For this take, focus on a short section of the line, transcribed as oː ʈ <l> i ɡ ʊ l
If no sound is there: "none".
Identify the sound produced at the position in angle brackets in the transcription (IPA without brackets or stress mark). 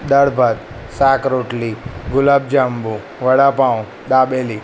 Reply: l